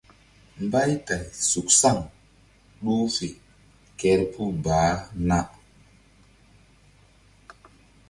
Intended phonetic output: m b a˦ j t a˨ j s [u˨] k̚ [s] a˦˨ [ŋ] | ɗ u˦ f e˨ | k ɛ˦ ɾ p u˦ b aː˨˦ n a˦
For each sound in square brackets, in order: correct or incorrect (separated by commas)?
correct, correct, correct